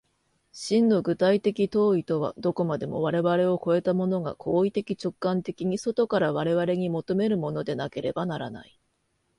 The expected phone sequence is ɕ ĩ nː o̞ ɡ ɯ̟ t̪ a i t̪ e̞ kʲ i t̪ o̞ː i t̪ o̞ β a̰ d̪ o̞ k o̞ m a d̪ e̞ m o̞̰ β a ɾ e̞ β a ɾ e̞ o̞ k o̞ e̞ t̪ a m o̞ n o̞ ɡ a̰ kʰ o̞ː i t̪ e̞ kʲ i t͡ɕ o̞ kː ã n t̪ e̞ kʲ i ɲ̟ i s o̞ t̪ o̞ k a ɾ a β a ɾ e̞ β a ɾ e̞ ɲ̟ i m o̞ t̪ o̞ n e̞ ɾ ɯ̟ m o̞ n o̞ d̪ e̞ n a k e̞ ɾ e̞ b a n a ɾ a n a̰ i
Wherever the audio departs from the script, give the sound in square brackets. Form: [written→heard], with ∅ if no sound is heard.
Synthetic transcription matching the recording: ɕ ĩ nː o̞ ɡ ɯ̟ t̪ a i t̪ e̞ kʲ i t̪ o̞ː i t̪ o̞ β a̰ d̪ o̞ k o̞ m a d̪ e̞ m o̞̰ β a ɾ e̞ β a ɾ e̞ o̞ k o̞ e̞ t̪ a m o̞ n o̞ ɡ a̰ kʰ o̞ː i t̪ e̞ kʲ i t͡ɕ o̞ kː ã n t̪ e̞ kʲ i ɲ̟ i s o̞ t̪ o̞ k a ɾ a β a ɾ e̞ β a ɾ e̞ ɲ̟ i m o̞ t̪ o̞ [n→m] e̞ ɾ ɯ̟ m o̞ n o̞ d̪ e̞ n a k e̞ ɾ e̞ b a n a ɾ a n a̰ i